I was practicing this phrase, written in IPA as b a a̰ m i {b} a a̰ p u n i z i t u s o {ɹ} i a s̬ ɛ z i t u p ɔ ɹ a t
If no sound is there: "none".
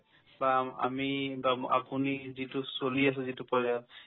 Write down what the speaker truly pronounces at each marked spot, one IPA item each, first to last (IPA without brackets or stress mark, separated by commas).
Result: b, l